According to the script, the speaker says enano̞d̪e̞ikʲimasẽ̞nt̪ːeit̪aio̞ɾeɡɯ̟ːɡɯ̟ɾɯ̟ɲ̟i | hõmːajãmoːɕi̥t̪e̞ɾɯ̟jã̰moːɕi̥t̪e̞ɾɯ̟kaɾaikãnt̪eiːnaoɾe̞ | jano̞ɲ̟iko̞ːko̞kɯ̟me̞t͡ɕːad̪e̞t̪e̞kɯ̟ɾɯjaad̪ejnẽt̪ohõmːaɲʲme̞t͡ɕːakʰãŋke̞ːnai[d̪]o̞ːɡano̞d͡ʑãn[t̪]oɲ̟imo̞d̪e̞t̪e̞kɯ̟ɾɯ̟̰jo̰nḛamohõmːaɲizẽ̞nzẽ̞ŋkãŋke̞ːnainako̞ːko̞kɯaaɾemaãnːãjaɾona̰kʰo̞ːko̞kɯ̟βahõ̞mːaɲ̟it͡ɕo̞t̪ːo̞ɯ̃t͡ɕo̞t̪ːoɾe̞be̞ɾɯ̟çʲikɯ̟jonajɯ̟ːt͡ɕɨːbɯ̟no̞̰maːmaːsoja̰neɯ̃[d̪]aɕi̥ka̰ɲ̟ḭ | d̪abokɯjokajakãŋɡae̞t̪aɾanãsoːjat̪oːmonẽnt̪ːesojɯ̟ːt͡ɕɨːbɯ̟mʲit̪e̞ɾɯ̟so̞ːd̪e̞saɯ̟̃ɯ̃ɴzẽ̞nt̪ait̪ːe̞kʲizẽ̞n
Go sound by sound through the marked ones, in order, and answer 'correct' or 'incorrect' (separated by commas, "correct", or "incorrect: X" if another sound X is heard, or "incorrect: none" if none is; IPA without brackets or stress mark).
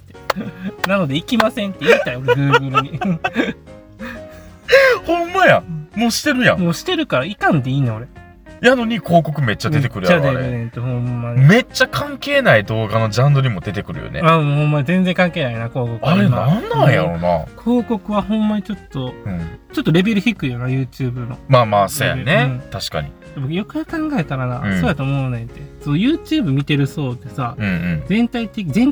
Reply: correct, incorrect: d̪, incorrect: t̪